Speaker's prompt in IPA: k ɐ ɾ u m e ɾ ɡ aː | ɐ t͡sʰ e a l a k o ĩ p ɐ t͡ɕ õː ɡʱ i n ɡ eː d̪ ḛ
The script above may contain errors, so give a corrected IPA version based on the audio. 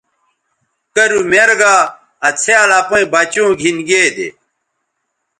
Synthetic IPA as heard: k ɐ ɾ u m e ɾ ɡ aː | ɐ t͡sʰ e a l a p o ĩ b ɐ t͡ɕ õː ɡʱ i n ɡ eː d̪ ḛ